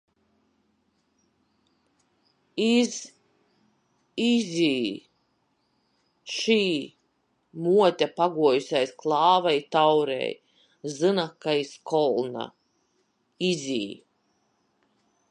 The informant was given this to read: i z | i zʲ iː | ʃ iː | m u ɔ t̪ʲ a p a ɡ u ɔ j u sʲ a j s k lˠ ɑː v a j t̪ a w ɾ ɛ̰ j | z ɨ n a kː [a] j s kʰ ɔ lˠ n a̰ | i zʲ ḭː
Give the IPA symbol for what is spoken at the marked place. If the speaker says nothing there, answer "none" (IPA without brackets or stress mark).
a